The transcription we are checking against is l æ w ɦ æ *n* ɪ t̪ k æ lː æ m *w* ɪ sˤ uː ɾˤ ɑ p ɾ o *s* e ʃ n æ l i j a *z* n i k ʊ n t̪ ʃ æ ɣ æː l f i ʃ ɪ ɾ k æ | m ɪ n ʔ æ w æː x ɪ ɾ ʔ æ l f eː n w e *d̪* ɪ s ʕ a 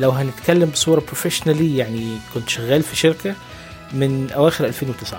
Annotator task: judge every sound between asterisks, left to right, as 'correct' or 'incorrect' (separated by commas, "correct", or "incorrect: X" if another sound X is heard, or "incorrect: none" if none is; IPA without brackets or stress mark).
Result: correct, incorrect: b, incorrect: f, incorrect: ʕ, incorrect: t̪